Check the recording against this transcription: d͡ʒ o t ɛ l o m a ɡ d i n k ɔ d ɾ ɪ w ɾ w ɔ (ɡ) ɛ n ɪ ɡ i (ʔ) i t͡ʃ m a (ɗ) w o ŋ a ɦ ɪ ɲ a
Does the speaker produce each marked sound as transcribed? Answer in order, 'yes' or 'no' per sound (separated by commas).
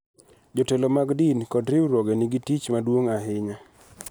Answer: yes, no, no